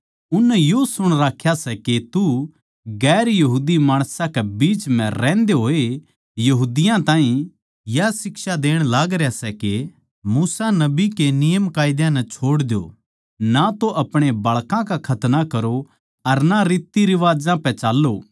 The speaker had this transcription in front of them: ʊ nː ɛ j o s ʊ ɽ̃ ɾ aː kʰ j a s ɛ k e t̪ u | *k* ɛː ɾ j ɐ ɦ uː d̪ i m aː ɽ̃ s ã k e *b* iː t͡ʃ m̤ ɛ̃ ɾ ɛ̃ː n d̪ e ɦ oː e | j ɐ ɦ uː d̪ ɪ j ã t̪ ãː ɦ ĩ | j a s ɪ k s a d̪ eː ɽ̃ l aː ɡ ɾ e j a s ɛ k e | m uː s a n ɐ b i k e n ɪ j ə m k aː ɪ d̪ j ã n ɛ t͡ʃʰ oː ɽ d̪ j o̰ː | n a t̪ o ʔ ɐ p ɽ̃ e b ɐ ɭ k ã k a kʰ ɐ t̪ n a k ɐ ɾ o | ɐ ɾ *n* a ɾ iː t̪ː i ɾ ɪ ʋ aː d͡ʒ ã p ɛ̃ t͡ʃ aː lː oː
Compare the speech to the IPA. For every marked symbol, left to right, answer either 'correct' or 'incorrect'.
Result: incorrect, correct, correct

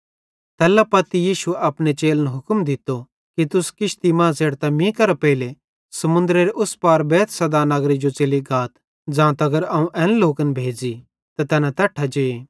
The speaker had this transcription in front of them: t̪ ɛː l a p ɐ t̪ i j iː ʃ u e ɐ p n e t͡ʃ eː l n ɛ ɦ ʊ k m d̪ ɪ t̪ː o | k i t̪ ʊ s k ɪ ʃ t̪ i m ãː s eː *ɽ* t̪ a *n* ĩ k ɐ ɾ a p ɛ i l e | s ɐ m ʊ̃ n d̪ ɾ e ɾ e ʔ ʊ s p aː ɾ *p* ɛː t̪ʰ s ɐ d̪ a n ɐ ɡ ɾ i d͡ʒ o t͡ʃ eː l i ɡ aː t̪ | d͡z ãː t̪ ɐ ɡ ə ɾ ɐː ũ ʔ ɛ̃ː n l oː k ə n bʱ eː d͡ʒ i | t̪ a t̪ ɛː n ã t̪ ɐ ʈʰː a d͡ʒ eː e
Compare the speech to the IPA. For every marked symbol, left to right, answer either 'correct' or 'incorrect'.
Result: correct, incorrect, incorrect

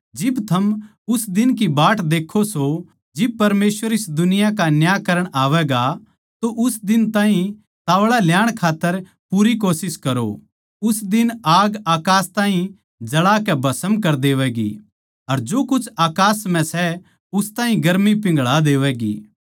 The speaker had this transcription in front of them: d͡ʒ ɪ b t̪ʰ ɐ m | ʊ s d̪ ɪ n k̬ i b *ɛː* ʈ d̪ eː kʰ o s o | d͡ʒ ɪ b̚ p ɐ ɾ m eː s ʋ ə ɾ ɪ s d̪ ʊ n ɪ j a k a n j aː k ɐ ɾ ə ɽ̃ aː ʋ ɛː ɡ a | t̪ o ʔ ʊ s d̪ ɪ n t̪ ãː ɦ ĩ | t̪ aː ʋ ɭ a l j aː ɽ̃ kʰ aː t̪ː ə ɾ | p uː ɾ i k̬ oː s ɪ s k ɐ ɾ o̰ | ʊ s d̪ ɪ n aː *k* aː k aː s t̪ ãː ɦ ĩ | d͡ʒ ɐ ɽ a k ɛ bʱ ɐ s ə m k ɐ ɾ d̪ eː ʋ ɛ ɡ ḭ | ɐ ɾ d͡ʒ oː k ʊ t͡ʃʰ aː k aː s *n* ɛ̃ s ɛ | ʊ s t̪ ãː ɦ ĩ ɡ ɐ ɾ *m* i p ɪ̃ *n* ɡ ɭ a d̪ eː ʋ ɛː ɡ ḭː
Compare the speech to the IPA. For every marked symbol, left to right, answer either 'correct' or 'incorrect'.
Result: incorrect, incorrect, incorrect, correct, incorrect

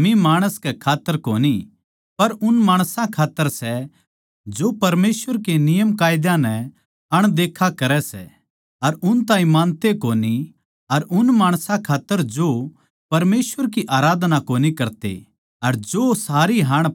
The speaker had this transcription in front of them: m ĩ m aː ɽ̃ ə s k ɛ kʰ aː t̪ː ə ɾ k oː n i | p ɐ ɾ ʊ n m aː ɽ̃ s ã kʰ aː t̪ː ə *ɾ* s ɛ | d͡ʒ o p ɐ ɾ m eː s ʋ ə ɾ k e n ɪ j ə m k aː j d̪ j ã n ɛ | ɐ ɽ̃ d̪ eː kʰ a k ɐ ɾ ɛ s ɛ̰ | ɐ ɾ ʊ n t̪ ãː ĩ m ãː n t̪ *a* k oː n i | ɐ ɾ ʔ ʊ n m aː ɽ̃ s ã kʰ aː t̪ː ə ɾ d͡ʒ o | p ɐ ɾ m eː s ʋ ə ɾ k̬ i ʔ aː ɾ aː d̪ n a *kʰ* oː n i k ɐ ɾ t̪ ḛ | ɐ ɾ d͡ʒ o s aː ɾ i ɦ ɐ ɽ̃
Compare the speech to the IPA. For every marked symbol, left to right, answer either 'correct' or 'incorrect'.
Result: correct, incorrect, incorrect

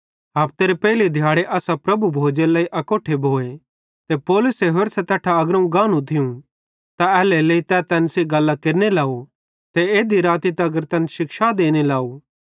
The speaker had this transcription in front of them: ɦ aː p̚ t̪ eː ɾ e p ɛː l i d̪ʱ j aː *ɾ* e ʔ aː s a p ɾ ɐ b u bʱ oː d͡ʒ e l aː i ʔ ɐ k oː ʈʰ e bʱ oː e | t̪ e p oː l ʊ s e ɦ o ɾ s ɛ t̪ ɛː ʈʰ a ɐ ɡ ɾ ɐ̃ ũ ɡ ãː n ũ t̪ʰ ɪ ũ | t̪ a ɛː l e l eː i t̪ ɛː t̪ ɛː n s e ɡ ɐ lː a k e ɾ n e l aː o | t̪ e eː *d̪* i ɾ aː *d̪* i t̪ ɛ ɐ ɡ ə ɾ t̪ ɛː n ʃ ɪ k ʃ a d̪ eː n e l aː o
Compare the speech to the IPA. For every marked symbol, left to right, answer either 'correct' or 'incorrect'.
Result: incorrect, correct, incorrect

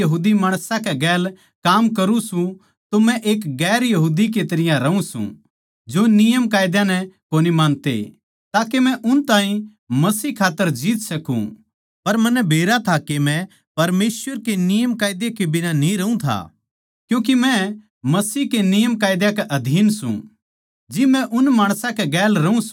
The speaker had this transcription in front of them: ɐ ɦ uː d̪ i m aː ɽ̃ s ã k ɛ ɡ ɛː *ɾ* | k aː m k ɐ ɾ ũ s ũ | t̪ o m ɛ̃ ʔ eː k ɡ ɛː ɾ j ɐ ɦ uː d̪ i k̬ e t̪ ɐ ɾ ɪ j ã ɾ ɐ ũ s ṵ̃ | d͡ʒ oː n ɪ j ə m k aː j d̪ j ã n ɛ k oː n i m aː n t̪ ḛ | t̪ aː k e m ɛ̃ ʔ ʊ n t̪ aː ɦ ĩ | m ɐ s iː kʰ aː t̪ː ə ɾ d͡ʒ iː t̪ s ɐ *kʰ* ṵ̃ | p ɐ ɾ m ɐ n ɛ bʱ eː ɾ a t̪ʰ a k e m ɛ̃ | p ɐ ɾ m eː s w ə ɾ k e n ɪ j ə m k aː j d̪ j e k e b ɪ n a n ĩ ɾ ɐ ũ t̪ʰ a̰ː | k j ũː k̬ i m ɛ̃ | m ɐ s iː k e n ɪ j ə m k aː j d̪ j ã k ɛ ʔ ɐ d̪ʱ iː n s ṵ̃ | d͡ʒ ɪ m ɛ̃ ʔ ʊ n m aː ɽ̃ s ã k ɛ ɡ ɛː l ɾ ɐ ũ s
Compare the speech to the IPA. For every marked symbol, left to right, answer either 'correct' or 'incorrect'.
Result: incorrect, incorrect

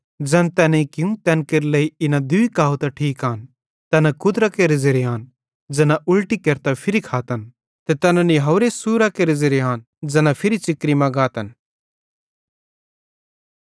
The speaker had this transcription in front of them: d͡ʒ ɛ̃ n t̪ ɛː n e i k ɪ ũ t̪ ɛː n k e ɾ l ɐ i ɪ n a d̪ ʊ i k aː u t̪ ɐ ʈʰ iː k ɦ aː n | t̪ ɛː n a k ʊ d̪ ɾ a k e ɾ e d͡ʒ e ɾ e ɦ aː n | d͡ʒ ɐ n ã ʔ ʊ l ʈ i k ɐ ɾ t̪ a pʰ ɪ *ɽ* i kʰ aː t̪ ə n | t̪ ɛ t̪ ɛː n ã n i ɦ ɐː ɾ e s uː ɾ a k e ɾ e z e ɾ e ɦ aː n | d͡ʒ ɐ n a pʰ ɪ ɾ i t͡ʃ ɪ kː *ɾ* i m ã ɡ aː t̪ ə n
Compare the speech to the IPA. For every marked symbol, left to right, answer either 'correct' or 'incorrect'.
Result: incorrect, correct

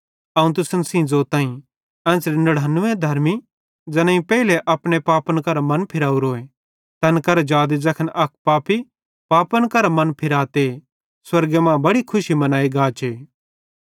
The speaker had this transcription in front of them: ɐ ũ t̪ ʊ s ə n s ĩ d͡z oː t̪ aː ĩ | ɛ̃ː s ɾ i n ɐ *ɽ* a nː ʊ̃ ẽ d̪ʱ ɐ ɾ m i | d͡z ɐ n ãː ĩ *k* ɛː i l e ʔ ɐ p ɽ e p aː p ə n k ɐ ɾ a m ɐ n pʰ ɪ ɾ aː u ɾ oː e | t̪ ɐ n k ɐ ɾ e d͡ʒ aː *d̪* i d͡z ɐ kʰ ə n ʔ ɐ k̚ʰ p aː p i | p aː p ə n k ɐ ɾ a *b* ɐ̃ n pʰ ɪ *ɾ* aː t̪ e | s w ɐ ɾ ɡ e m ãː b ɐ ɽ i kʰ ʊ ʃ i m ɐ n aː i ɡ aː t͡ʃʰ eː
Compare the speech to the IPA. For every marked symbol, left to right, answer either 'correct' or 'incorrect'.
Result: correct, incorrect, correct, incorrect, correct

